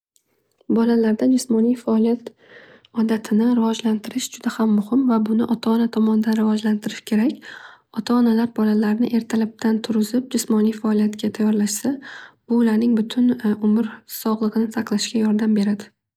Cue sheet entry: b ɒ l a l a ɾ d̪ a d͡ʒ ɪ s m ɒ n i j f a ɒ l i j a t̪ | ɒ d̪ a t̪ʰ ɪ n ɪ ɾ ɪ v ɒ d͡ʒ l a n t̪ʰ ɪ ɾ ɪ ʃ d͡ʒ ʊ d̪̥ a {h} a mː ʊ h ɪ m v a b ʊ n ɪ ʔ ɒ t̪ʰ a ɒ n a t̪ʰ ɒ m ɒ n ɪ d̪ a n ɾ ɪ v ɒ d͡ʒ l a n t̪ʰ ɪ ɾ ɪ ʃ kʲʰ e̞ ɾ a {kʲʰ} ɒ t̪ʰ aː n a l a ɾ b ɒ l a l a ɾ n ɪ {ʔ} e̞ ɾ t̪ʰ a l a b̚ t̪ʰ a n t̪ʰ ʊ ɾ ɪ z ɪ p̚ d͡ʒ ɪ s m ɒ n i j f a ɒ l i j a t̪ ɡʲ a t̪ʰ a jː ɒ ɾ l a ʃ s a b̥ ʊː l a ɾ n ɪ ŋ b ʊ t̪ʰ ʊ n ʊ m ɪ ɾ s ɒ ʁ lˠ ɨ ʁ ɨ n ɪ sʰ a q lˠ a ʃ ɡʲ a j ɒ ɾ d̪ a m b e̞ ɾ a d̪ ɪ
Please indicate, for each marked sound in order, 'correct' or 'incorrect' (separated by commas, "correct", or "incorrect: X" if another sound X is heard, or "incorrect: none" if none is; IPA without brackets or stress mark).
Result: correct, incorrect: kʲ, correct